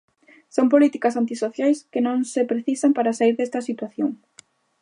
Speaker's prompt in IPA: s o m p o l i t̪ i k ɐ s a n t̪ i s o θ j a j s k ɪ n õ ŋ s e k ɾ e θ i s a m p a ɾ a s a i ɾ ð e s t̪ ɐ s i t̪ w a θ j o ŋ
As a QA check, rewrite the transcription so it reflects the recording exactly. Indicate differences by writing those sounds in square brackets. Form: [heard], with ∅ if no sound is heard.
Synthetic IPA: s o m p o l i t̪ i k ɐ s a n t̪ i s o θ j a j s k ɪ n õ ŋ s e [p] ɾ e θ i s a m p a ɾ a s a i ɾ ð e s t̪ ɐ s i t̪ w a θ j o ŋ